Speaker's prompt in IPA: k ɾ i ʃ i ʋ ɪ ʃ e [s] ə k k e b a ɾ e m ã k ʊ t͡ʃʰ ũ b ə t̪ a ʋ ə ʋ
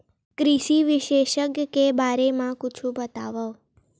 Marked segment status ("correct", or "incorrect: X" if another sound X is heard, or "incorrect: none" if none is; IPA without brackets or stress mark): incorrect: ʃ